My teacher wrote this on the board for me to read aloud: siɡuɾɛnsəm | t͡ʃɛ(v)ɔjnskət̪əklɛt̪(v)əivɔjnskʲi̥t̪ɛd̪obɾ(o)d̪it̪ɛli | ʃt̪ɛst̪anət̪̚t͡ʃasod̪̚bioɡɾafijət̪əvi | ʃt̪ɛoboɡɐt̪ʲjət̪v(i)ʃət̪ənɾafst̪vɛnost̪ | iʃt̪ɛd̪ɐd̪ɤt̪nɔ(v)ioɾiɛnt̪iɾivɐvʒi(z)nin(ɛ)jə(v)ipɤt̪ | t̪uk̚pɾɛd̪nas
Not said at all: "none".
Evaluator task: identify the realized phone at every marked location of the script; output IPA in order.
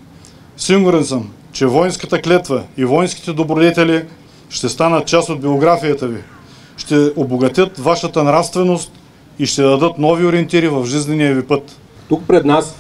v, v, o, a, v, z, i, v

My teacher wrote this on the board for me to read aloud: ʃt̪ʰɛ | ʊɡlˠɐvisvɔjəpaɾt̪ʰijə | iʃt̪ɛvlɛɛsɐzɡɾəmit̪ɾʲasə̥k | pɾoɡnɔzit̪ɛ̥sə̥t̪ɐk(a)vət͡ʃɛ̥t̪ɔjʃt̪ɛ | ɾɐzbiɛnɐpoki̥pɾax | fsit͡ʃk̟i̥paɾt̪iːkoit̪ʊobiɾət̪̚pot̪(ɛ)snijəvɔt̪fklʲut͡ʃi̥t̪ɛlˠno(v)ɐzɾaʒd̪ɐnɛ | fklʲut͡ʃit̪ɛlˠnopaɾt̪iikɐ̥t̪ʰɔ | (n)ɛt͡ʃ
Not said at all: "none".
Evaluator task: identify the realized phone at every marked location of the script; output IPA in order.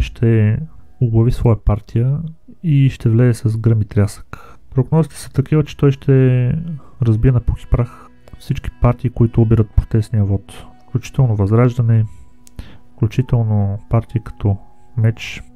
i, ɛ, v, m

